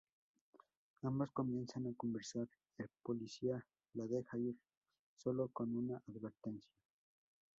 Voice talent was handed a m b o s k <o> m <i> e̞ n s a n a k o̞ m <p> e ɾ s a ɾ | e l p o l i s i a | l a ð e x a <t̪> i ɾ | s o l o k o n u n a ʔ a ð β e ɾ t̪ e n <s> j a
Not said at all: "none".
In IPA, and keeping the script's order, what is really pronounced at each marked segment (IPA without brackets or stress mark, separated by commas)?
o, j, b, none, s